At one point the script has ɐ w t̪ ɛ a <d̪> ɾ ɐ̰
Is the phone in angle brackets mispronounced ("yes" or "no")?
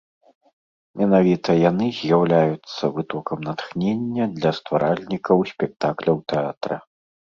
yes